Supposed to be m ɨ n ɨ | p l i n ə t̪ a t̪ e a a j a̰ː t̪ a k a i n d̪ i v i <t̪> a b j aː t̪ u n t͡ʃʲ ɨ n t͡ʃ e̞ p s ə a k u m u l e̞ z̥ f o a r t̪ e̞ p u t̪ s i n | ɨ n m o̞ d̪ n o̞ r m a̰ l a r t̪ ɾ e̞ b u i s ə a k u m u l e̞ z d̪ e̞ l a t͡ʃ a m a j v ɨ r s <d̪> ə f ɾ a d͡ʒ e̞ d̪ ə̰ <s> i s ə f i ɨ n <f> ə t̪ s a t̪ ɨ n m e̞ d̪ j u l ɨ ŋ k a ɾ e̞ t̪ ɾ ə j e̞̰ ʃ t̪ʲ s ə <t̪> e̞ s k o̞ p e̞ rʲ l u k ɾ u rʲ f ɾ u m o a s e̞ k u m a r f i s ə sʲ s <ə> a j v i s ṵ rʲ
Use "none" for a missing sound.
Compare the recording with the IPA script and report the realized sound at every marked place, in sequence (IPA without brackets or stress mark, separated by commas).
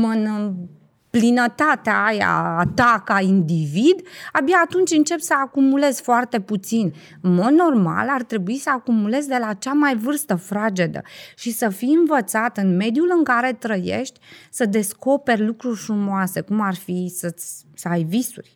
d̪, t̪, ʃ, v, d̪, ə